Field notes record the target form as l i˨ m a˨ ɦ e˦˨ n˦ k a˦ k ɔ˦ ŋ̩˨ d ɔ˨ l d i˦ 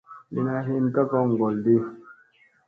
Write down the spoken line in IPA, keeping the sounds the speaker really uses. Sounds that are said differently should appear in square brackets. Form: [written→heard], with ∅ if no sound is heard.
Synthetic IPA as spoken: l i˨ [m→n] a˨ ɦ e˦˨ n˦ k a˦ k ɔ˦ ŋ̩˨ [d→ɡ] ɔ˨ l d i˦